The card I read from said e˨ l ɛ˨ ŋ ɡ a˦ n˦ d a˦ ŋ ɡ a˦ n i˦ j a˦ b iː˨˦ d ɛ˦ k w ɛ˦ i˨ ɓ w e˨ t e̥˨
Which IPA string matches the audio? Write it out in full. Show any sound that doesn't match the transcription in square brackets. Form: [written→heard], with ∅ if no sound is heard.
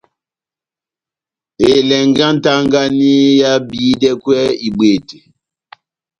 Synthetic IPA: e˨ l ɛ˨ ŋ ɡ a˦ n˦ [d→t] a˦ ŋ ɡ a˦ n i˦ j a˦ b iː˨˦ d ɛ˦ k w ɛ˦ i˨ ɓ w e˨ t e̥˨